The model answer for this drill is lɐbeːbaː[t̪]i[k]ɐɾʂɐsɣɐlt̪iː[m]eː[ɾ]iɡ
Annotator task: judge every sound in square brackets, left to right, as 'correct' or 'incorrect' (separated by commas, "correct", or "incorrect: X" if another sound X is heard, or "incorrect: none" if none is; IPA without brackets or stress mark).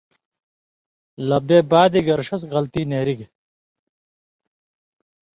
incorrect: d̪, incorrect: ɡ, incorrect: n, correct